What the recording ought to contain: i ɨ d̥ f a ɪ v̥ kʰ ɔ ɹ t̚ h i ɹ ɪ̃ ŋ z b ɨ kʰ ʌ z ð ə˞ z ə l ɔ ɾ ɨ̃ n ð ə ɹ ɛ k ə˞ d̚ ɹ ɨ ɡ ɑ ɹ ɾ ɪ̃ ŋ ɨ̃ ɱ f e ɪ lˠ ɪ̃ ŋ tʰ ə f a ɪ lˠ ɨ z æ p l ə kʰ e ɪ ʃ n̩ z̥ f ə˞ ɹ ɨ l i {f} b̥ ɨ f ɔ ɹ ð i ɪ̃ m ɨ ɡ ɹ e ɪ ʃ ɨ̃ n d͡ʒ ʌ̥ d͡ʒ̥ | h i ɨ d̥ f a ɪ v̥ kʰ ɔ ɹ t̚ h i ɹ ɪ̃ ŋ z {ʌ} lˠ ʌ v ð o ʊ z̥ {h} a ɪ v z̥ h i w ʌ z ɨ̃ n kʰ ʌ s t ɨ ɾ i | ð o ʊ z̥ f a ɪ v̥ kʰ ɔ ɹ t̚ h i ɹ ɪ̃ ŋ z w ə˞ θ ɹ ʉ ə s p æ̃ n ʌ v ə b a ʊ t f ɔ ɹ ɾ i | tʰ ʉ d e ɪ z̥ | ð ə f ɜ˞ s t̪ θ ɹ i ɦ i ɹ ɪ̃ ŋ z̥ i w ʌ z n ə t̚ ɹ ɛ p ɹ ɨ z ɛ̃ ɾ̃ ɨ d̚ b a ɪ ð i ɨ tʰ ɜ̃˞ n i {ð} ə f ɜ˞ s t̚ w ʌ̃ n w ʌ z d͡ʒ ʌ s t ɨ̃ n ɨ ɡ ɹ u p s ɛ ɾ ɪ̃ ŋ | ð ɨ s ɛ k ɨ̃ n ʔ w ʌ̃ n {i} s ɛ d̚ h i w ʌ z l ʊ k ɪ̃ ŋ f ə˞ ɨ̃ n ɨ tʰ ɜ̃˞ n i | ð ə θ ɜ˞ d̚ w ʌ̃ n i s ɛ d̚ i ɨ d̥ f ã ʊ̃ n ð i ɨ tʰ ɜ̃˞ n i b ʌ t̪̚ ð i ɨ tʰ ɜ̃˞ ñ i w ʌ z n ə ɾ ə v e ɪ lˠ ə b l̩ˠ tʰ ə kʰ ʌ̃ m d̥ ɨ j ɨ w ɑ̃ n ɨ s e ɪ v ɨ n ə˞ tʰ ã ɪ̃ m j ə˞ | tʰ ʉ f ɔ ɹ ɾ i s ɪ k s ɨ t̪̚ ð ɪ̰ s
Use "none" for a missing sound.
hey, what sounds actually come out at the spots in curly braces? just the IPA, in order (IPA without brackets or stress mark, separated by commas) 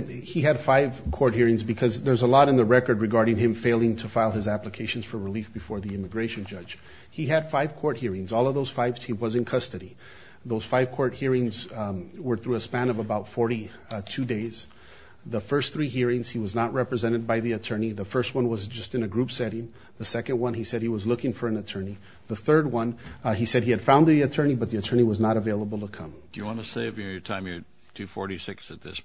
f, ɔ, f, ð, i